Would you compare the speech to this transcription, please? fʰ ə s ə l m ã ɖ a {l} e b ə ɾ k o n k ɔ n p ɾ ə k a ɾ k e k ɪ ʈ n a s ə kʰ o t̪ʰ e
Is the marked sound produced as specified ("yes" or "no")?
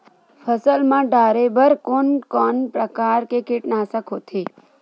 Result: no